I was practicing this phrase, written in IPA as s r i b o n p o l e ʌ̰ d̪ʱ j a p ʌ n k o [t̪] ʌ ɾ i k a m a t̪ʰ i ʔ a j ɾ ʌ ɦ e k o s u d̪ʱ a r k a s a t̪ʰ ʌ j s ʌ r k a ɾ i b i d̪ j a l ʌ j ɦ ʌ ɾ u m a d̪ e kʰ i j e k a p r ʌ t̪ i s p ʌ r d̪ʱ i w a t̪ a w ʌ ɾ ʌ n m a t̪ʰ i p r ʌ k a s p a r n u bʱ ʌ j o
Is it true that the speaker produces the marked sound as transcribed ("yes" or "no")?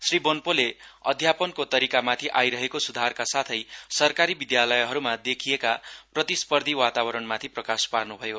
yes